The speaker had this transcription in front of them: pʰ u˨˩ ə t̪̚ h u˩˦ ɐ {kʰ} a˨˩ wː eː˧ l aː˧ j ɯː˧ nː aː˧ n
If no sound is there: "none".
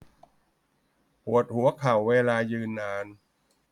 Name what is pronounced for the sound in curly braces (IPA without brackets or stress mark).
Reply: kʰ